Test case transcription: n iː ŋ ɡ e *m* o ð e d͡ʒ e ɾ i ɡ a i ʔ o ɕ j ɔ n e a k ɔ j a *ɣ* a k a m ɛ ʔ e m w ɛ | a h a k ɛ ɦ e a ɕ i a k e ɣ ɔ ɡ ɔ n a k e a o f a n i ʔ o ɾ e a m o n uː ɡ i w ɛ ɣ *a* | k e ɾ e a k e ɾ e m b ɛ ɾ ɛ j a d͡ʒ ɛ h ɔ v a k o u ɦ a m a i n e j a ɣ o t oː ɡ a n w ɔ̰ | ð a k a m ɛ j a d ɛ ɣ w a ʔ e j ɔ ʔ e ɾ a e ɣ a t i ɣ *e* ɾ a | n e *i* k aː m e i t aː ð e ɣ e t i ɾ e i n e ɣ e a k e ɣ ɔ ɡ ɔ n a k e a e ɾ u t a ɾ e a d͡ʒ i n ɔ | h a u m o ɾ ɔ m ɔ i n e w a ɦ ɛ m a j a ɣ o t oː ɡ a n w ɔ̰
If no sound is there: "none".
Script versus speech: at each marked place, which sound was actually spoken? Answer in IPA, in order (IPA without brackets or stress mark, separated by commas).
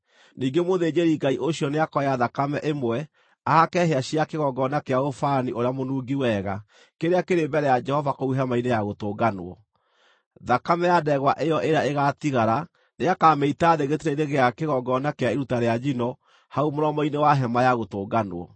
m, ð, a, a, a